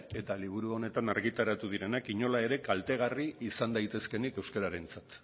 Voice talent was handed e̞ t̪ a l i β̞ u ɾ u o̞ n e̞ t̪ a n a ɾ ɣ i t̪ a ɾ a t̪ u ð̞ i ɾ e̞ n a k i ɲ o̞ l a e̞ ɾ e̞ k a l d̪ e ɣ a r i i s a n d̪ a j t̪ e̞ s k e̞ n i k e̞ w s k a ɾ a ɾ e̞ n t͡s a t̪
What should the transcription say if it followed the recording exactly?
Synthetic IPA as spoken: e̞ t̪ a l i β̞ u ɾ u o̞ n e̞ t̪ a n a ɾ ɣ i t̪ a ɾ a t̪ u ð̞ i ɾ e̞ n a k i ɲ o̞ l a e̞ ɾ e̞ k a l t̪ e ɣ a r i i s a n d̪ a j t̪ e̞ s k e̞ n i k e̞ w s k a ɾ a ɾ e̞ n t͡s a t̪